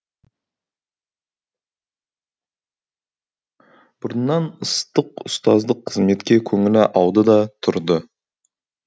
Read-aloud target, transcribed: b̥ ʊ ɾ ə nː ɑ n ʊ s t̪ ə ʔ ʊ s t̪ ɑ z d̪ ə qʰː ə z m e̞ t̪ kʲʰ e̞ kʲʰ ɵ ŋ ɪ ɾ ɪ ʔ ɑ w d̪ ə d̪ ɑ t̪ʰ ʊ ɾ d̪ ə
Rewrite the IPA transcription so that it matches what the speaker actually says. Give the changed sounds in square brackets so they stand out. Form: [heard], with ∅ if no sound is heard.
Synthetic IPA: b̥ ʊ ɾ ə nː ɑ n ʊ s t̪ ə [q] ʊ s t̪ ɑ z d̪ ə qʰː ə z m e̞ t̪ [kʲ] e̞ kʲʰ ɵ ŋ ɪ [l] ɪ ʔ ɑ w d̪ ə d̪ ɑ t̪ʰ ʊ ɾ d̪ ə